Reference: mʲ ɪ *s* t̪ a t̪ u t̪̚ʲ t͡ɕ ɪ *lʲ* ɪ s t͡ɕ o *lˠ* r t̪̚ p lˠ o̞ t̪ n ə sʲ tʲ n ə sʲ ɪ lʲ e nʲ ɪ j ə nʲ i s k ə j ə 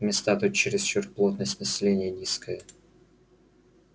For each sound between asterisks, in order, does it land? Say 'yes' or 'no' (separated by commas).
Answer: yes, no, no